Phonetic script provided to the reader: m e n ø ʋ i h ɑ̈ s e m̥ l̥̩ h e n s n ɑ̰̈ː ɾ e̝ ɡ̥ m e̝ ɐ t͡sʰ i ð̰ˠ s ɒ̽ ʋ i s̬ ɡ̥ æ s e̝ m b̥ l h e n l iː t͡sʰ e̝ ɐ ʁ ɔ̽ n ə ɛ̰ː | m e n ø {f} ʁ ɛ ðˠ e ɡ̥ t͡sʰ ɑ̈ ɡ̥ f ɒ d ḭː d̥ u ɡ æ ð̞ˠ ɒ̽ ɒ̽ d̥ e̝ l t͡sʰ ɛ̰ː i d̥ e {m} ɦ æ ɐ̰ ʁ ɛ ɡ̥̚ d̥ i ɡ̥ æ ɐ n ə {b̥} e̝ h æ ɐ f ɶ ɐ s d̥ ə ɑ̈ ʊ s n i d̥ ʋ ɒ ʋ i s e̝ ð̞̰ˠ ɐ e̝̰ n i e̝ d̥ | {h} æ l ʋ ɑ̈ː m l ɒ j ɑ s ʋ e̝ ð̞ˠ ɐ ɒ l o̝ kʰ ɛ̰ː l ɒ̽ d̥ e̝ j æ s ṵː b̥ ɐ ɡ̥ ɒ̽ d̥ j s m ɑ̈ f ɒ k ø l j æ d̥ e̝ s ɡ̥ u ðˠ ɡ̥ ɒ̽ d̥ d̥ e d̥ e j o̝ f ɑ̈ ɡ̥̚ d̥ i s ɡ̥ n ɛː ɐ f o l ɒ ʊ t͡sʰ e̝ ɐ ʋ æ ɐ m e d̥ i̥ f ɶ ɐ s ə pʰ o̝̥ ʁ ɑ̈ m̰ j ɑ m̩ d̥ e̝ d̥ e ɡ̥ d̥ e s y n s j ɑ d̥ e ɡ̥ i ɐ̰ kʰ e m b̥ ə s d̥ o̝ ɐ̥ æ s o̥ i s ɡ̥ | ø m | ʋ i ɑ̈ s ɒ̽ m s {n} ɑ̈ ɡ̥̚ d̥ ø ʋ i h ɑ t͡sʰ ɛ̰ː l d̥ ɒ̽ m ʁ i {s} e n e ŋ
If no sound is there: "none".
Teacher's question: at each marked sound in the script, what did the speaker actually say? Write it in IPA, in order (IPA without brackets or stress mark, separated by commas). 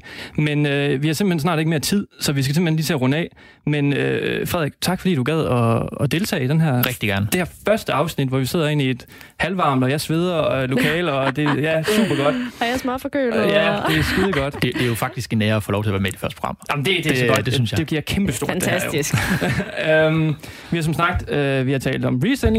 f, n, d̥, h, n, s